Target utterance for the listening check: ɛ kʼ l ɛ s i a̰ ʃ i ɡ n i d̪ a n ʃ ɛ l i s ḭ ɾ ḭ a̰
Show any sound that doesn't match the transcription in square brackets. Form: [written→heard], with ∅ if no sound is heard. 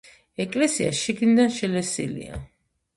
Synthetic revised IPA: ɛ kʼ l ɛ s i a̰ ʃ i ɡ n i d̪ a n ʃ ɛ l [i→ɛ] s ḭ [ɾ→l] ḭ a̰